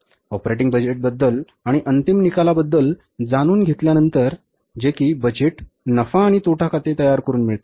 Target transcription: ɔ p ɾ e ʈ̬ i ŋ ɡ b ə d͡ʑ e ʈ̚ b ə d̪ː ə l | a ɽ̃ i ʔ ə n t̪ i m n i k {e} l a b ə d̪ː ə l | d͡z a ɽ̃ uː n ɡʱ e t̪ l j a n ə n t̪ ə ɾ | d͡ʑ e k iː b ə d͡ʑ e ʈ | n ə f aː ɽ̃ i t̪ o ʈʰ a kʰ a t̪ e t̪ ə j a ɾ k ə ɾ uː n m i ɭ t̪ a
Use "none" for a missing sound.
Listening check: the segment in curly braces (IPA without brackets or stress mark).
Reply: a